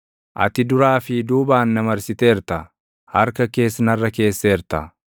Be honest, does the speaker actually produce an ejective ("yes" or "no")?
no